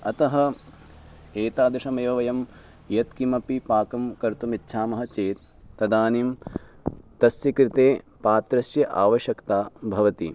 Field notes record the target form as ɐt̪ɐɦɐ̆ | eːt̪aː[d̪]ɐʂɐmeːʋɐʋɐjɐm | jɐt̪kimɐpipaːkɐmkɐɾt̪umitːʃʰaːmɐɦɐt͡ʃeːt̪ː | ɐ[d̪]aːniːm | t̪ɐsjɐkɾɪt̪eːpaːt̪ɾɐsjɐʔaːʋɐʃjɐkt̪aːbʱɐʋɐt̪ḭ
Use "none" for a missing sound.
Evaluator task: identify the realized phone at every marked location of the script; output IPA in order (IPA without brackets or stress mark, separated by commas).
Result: d̪, d̪